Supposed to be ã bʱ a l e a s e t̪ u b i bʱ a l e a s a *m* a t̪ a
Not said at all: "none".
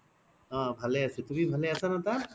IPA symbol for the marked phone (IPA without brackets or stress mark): n